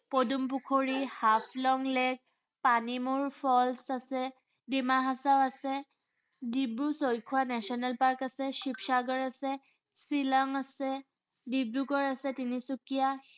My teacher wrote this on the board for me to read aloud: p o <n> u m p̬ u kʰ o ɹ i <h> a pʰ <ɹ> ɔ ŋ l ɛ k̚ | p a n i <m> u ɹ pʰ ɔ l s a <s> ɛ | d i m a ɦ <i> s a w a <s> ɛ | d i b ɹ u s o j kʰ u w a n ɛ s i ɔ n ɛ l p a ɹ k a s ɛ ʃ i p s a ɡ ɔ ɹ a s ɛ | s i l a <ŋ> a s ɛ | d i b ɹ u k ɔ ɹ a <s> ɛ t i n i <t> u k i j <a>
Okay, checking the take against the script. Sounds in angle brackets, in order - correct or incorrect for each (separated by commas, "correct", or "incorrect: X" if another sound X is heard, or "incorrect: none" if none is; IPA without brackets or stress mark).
incorrect: d, correct, incorrect: l, correct, correct, incorrect: a, correct, correct, correct, incorrect: s, correct